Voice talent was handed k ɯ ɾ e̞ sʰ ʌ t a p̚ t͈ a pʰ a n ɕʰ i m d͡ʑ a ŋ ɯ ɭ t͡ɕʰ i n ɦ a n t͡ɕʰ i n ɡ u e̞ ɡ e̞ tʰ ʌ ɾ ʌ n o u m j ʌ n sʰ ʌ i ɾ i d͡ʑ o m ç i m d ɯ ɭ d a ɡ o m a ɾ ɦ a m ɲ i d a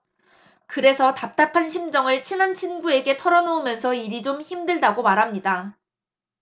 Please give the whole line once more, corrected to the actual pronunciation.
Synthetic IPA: k ɯ ɾ e̞ sʰ ʌ t a p̚ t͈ a pʰ a n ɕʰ i m d͡ʑ ʌ ŋ ɯ ɭ t͡ɕʰ i n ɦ a n t͡ɕʰ i n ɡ u e̞ ɡ e̞ tʰ ʌ ɾ ʌ n o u m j ʌ n sʰ ʌ i ɾ i d͡ʑ o m ç i m d ɯ ɭ d a ɡ o m a ɾ ɦ a m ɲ i d a